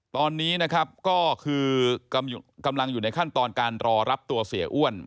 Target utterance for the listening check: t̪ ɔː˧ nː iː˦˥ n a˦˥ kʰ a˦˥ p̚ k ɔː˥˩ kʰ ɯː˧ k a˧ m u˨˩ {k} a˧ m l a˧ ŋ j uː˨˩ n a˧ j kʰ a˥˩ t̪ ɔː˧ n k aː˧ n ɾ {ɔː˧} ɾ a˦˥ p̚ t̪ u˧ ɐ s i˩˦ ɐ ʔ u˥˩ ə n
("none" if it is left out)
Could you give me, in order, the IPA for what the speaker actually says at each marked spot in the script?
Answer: k, ɔː˧

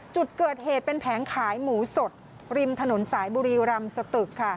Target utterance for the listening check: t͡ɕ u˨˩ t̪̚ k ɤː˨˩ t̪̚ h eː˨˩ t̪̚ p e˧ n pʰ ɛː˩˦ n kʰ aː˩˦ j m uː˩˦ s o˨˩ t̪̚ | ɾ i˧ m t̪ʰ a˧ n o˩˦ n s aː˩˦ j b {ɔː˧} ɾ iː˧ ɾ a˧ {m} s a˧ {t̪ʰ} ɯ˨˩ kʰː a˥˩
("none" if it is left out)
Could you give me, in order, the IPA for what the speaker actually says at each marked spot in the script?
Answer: uː˧, m, t̪

